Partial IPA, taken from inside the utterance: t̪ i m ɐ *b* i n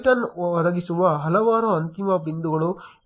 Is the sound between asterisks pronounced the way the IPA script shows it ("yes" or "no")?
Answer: yes